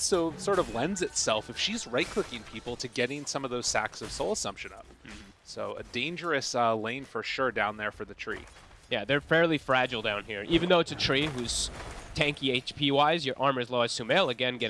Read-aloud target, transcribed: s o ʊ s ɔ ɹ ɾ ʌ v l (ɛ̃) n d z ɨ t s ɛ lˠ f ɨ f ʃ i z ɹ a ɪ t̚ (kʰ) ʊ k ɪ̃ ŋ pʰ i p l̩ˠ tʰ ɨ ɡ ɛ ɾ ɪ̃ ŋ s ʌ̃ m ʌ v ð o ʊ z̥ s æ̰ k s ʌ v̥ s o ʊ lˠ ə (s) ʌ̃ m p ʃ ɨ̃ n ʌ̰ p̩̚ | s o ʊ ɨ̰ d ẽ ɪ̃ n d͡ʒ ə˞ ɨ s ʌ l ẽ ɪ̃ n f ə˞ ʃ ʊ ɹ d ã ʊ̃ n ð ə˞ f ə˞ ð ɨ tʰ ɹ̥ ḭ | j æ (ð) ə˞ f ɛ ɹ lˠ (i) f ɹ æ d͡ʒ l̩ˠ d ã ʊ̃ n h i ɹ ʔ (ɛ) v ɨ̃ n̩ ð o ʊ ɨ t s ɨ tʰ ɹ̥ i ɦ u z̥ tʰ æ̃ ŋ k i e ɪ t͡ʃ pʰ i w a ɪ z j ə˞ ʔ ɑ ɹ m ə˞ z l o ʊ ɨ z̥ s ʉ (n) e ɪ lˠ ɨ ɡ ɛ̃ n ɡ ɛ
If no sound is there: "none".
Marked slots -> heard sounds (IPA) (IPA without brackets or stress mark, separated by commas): ɛ̃, kʰ, s, ð, i, i, m